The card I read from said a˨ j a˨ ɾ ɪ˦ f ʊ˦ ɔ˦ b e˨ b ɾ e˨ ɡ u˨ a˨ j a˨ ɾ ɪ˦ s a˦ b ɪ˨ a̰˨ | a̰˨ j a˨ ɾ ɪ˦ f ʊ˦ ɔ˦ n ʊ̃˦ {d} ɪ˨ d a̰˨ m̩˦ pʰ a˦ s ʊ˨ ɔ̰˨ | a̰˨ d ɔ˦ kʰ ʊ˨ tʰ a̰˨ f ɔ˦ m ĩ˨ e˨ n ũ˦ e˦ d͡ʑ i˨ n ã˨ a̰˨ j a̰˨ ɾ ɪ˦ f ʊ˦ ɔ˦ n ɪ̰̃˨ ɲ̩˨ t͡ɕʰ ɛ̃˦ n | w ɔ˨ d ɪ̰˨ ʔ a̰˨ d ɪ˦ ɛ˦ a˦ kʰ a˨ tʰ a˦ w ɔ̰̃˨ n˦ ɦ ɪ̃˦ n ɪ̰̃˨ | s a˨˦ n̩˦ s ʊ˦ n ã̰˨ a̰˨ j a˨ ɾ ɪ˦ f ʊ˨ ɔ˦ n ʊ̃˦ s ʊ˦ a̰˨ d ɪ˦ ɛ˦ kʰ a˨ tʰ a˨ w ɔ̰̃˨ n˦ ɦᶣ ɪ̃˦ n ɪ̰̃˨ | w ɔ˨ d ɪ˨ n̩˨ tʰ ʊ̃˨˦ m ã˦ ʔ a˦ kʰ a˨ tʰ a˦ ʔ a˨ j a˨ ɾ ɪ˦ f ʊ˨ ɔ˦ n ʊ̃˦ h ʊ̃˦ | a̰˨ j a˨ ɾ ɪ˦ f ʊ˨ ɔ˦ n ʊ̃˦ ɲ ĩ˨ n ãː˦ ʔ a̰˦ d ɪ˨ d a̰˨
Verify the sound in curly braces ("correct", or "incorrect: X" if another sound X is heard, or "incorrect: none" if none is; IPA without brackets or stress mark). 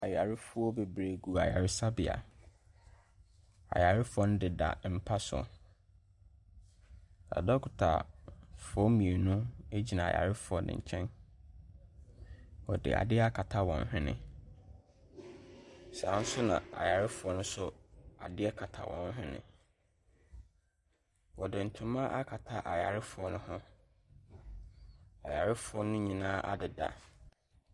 correct